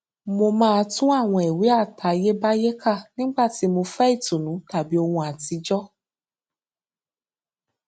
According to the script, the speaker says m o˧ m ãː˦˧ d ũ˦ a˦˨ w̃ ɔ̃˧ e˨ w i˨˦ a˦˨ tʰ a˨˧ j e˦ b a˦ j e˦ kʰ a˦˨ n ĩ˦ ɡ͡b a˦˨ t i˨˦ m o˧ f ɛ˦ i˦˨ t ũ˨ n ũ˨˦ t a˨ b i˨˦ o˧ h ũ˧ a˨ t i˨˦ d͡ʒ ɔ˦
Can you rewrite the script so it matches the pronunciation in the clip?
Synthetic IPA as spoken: m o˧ m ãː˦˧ t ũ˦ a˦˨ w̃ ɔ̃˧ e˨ w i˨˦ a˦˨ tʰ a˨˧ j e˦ b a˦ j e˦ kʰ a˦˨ n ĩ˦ ɡ͡b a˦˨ t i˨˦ m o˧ f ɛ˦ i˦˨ t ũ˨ n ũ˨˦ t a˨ b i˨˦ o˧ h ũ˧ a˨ t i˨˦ d͡ʒ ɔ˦